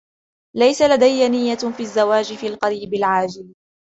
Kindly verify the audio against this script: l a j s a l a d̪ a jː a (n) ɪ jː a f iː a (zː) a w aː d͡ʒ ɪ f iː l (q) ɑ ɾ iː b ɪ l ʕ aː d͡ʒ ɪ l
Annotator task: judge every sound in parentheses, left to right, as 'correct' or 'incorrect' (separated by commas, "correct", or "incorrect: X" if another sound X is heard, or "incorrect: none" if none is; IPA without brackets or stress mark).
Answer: correct, correct, correct